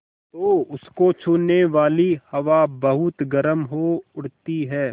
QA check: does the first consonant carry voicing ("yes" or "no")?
no